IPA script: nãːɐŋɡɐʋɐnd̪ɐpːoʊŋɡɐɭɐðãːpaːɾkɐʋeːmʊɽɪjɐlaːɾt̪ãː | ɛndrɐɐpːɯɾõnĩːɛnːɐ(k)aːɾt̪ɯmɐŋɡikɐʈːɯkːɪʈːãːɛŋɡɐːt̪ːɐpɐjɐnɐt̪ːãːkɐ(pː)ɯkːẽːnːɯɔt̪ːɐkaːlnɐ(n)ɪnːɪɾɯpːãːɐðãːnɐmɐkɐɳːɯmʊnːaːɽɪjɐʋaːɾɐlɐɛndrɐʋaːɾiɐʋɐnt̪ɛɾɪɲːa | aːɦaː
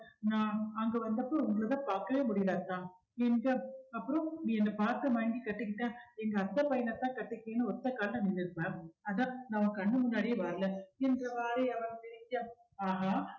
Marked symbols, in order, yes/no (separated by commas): no, no, yes